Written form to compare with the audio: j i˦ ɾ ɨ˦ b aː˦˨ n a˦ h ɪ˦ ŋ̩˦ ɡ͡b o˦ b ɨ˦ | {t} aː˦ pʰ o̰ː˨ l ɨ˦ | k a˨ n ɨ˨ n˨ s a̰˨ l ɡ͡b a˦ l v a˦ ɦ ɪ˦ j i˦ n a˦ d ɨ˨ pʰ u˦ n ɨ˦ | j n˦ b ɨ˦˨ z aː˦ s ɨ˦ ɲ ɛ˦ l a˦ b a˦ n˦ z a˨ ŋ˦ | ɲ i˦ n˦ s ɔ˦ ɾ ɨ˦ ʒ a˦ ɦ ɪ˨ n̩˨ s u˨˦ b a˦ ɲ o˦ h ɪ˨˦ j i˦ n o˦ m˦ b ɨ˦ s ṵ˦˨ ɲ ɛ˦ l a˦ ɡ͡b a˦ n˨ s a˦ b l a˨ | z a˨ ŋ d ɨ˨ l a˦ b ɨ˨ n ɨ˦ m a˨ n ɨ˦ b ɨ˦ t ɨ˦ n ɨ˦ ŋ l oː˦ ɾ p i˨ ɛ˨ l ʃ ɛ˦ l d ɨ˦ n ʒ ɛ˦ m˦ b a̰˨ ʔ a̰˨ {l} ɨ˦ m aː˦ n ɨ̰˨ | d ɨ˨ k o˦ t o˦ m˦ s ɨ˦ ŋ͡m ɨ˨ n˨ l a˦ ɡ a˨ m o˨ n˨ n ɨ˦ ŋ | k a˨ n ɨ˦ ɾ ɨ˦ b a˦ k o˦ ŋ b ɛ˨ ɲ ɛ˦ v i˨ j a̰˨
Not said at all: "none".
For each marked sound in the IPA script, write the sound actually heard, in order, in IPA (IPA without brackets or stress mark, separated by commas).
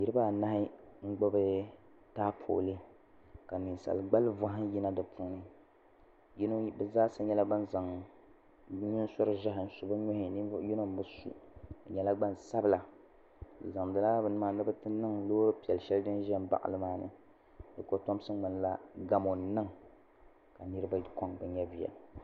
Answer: t, l